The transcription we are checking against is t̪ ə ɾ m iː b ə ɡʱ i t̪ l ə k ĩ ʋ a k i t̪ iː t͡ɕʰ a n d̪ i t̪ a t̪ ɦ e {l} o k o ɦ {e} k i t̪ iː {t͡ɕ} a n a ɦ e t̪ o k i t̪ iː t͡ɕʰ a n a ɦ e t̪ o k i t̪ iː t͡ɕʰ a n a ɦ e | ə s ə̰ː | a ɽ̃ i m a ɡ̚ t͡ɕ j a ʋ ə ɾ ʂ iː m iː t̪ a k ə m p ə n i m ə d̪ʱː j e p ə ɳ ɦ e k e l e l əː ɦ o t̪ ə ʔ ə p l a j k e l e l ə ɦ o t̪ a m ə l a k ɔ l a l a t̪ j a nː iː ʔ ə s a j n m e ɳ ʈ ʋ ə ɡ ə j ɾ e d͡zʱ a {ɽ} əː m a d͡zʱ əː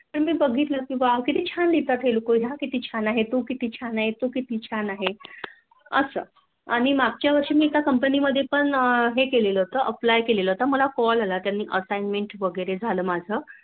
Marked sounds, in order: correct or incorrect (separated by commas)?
correct, incorrect, incorrect, incorrect